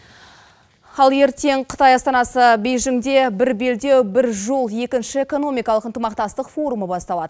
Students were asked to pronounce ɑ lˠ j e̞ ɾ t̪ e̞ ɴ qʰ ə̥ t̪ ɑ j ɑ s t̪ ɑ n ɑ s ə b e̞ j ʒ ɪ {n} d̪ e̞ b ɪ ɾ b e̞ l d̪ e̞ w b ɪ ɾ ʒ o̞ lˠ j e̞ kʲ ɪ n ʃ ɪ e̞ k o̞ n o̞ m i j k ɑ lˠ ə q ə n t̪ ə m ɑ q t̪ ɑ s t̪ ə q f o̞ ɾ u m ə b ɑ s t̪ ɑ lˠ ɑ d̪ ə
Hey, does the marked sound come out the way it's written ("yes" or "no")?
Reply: no